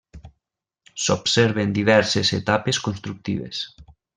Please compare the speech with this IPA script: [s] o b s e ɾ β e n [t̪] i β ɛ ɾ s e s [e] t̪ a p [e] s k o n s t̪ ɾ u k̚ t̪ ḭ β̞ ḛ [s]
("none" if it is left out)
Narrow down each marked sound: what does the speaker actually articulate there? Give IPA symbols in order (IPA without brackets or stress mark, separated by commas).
s, d̪, e, e, s